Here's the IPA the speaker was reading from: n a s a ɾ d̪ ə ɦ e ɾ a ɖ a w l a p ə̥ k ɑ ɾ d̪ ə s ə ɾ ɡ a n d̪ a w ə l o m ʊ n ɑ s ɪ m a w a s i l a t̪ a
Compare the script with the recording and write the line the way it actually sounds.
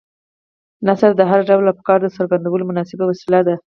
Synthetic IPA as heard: n a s a ɾ d̪ ə ɦ a ɾ a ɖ a w l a p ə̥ k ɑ ɾ d̪ ə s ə ɾ ɡ a n d̪ a w ə l o m ʊ n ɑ s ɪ b a w a s i l a d̪ a